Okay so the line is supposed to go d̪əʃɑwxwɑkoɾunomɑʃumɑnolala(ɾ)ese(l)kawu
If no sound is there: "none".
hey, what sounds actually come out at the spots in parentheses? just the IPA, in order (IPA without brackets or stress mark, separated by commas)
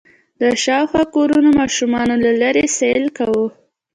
ɾ, l